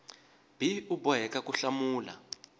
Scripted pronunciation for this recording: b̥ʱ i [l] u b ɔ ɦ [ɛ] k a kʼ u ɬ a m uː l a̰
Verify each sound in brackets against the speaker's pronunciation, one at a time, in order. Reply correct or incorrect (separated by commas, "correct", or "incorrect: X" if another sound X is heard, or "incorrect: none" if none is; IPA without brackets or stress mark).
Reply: incorrect: none, correct